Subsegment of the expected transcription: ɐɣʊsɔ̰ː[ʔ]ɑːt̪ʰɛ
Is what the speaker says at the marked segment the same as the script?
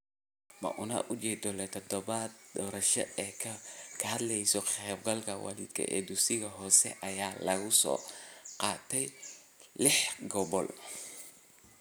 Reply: no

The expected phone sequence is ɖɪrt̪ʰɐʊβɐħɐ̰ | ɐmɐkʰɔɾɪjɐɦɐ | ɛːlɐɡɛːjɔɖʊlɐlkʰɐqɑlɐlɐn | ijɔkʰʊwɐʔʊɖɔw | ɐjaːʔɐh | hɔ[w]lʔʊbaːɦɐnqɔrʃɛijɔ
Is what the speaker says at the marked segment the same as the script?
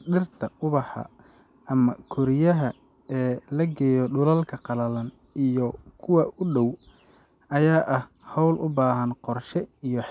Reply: yes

